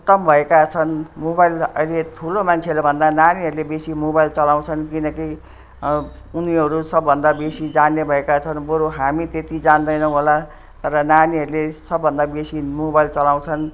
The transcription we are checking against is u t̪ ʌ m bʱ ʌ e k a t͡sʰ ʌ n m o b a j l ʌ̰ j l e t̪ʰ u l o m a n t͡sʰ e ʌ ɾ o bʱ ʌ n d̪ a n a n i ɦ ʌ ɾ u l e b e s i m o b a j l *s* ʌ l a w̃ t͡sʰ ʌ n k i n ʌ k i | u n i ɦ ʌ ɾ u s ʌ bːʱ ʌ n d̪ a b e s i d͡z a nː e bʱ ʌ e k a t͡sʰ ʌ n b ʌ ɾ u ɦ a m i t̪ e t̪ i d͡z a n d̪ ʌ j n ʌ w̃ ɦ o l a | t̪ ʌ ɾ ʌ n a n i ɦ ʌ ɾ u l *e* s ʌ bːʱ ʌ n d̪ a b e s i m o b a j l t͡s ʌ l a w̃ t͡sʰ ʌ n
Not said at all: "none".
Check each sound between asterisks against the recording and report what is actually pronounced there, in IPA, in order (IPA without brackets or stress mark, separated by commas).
t͡s, e